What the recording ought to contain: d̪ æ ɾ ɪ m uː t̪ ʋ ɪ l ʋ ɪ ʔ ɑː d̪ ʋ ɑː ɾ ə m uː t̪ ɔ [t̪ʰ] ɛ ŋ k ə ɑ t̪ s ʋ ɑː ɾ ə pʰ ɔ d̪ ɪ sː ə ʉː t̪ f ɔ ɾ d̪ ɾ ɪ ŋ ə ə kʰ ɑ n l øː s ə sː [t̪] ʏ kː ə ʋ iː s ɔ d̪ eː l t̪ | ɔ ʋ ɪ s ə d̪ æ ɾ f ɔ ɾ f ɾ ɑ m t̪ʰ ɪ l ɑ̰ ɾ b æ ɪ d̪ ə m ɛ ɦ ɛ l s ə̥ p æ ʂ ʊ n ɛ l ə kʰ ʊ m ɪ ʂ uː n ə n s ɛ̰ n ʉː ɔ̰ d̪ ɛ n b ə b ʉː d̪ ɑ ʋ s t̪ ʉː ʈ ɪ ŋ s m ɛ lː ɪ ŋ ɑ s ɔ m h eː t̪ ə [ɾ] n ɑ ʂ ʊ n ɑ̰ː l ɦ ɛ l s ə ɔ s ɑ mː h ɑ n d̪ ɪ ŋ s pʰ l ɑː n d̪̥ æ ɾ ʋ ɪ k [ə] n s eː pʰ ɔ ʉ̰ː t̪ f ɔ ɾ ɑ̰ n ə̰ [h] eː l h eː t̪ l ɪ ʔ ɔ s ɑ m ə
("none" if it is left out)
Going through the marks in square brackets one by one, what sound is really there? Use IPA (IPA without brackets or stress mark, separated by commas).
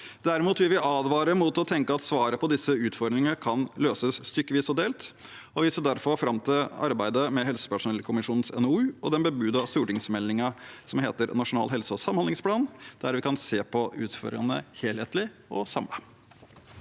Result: t̪ʰ, t̪, ɾ, ɑ, h